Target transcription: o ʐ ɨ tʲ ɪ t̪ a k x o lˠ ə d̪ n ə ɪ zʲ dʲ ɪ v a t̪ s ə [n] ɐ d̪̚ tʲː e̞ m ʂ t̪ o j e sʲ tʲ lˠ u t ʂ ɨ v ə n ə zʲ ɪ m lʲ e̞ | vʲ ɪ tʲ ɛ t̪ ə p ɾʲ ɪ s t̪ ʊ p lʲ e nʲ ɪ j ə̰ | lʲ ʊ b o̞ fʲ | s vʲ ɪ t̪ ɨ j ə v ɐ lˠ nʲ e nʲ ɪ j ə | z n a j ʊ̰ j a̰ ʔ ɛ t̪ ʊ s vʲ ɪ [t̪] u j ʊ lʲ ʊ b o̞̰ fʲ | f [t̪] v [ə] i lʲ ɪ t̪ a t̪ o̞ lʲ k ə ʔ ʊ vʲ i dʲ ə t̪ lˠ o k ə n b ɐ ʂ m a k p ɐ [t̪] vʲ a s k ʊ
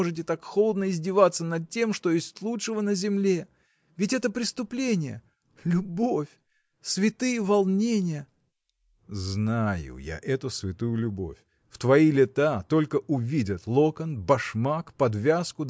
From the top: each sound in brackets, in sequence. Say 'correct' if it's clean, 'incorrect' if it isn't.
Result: correct, correct, correct, incorrect: ɐ, incorrect: d̪

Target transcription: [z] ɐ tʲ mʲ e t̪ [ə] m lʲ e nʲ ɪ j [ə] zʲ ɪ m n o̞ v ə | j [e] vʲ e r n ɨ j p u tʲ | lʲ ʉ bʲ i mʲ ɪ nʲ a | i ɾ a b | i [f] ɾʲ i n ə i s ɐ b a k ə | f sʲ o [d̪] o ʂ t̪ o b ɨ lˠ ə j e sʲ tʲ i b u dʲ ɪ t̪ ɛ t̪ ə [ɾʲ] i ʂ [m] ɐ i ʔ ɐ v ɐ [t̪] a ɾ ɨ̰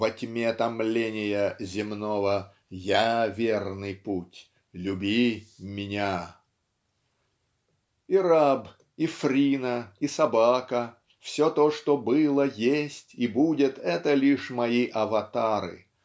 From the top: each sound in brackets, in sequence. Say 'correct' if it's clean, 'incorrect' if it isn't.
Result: incorrect: v, incorrect: ɐ, correct, incorrect: a, correct, incorrect: t̪, incorrect: lʲ, correct, correct

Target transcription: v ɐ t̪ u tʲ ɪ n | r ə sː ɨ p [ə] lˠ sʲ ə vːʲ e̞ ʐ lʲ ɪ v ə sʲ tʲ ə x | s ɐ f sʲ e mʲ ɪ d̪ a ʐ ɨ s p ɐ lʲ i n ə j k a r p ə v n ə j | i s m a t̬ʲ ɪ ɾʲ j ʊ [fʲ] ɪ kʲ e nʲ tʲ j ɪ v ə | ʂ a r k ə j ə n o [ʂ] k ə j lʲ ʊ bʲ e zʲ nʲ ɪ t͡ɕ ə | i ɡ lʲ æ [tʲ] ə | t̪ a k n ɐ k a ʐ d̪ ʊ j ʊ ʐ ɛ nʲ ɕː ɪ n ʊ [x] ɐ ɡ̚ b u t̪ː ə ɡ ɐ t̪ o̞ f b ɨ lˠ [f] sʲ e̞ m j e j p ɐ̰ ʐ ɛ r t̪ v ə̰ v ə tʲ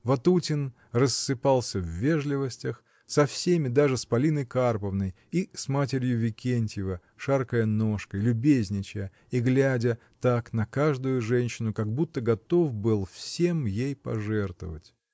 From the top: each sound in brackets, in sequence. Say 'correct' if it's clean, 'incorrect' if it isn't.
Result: incorrect: a, incorrect: vʲ, correct, incorrect: dʲ, incorrect: k, correct

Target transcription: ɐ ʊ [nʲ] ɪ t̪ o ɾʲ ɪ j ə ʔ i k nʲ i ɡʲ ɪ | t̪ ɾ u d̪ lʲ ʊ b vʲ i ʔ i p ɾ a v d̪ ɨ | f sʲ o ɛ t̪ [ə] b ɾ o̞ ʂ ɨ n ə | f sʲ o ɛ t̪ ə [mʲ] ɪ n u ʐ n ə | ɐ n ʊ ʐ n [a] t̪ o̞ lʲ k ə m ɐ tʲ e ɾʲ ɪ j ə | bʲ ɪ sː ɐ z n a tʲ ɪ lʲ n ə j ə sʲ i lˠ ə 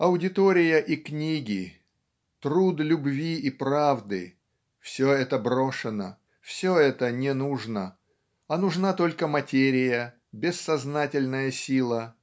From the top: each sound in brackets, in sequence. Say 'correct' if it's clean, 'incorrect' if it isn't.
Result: incorrect: dʲ, correct, incorrect: nʲ, correct

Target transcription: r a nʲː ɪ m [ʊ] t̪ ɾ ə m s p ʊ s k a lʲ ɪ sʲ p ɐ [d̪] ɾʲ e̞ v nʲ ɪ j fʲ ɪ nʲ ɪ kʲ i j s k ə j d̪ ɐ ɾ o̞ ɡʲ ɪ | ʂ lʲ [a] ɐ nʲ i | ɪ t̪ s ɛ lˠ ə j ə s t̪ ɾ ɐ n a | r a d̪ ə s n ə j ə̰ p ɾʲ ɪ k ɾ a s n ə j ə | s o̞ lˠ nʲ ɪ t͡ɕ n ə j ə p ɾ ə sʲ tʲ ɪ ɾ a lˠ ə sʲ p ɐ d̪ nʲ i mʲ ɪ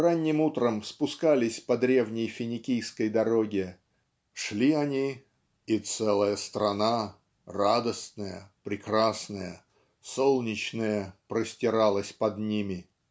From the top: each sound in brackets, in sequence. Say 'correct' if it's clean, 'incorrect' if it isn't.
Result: incorrect: u, correct, incorrect: i

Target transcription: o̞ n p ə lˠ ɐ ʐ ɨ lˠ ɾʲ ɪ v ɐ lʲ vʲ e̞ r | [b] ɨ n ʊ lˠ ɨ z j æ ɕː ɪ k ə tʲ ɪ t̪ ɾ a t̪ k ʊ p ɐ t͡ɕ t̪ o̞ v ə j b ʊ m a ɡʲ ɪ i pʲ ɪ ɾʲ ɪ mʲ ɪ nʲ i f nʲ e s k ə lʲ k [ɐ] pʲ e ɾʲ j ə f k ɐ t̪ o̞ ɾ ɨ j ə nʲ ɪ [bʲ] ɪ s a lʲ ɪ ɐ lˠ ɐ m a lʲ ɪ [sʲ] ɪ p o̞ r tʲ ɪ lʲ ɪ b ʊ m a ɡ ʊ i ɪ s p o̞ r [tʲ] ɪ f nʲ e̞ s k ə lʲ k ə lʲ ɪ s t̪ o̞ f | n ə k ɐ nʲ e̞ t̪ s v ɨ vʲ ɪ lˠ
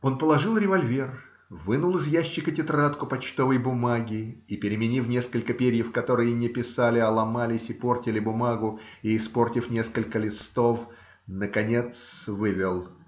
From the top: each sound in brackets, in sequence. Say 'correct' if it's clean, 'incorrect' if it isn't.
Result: incorrect: v, incorrect: ə, incorrect: pʲ, correct, correct

